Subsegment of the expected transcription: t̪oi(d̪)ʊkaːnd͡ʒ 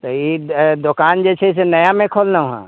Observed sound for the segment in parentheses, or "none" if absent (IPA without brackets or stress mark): d̪